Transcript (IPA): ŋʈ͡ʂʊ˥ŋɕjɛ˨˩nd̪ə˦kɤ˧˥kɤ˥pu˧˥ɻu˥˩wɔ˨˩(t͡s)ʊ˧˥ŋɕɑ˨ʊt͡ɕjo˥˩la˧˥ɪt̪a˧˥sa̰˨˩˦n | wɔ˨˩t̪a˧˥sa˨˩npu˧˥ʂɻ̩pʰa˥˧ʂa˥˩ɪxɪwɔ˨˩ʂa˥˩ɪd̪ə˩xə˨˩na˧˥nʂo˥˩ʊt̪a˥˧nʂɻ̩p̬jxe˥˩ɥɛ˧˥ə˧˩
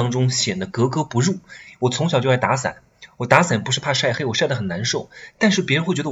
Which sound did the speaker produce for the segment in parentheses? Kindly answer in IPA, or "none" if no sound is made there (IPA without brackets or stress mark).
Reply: t͡sʰ